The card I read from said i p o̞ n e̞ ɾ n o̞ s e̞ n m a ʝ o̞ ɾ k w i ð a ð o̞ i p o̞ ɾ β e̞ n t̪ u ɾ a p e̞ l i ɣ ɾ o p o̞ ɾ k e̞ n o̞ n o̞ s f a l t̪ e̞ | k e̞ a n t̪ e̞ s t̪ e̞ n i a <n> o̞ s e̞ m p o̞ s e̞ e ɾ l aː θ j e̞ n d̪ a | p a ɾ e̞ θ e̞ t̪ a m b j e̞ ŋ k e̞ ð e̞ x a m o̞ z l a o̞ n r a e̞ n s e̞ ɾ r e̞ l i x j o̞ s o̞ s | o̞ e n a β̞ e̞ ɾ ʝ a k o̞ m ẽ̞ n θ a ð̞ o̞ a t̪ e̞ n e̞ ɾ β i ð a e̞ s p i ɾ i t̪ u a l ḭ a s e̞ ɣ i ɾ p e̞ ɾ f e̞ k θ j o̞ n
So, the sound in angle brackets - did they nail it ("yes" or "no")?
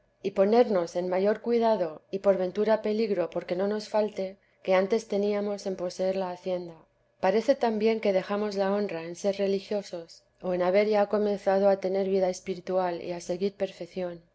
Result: no